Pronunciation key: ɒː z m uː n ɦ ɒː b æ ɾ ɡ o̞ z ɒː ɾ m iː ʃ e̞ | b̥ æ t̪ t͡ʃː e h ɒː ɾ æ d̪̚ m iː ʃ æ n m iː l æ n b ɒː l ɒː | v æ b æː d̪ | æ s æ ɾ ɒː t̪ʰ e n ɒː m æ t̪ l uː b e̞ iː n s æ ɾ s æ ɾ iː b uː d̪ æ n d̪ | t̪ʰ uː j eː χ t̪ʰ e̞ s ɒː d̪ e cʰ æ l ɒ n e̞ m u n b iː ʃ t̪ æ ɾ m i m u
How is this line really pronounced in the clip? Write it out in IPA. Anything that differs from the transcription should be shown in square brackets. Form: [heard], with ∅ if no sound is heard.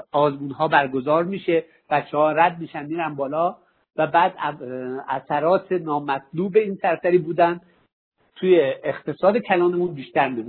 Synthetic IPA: ɒː z m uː n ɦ ɒː b æ ɾ ɡ o̞ z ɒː ɾ m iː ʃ e̞ | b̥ æ t̪ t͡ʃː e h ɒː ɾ æ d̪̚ m iː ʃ æ n m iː [ɾ] æ n b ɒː l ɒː | v æ b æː d̪ | æ s æ ɾ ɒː t̪ʰ e n ɒː m æ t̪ l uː b e̞ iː n s æ ɾ s æ ɾ iː b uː d̪ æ n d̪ | t̪ʰ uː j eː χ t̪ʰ e̞ s ɒː d̪ e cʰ æ l [ɒː] n e̞ m u n b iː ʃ t̪ æ ɾ m i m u